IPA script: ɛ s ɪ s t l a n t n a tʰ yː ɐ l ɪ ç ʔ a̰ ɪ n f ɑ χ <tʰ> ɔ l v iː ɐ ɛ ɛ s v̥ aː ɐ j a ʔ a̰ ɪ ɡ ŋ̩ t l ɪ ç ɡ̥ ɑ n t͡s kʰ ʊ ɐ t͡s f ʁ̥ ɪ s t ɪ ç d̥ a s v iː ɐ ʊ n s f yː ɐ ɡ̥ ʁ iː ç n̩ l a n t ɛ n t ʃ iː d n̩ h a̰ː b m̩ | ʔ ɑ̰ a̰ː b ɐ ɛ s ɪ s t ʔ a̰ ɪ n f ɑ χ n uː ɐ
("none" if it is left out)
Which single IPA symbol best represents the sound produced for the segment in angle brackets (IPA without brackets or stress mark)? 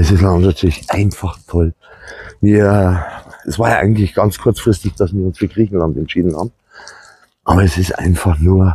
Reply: tʰ